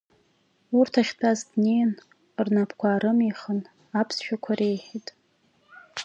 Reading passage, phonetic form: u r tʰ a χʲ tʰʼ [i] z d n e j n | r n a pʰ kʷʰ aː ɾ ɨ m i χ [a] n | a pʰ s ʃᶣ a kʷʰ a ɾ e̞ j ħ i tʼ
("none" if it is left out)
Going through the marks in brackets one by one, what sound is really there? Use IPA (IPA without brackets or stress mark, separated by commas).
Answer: a, ə